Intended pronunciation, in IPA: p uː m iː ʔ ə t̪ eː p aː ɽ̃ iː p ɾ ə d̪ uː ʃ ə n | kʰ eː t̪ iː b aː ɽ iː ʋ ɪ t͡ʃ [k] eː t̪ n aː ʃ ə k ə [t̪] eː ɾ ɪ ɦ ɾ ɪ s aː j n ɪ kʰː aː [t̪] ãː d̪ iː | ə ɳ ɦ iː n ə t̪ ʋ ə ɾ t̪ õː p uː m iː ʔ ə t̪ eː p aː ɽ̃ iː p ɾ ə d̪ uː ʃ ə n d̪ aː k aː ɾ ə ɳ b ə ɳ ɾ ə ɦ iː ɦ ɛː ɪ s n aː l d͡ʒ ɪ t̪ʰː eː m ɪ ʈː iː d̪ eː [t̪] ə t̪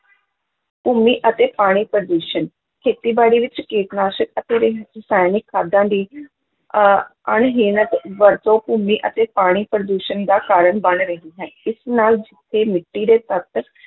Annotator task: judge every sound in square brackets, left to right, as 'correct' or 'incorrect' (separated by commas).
correct, correct, incorrect, correct